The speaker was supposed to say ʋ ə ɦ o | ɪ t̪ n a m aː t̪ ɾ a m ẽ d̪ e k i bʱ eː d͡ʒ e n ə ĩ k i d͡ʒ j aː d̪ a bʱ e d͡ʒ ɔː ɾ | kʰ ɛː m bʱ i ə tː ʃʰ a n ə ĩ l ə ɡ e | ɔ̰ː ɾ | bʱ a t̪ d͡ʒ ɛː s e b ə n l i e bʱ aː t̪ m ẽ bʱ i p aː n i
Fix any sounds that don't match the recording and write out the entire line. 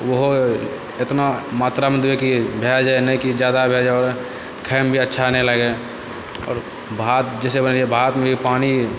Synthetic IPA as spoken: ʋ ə ɦ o | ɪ t̪ n a m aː t̪ ɾ a m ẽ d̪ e k i bʱ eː d͡ʒ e n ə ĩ k i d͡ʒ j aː d̪ a bʱ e d͡ʒ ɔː ɾ | kʰ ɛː m bʱ i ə tː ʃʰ a n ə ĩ l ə ɡ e | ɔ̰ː ɾ | bʱ a t̪ d͡ʒ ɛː s e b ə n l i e bʱ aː t̪ m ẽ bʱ i p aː n i